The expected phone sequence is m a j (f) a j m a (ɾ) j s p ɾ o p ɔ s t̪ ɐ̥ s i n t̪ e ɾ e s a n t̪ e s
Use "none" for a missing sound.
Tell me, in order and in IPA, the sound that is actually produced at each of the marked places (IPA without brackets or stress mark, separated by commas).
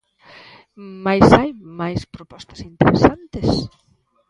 s, none